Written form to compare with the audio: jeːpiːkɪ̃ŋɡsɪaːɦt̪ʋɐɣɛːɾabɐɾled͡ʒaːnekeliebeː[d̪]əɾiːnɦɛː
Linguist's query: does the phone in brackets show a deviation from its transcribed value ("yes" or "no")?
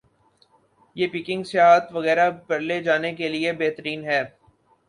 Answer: yes